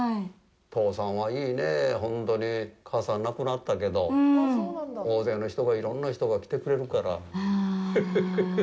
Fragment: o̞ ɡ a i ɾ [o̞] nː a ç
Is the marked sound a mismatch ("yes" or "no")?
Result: yes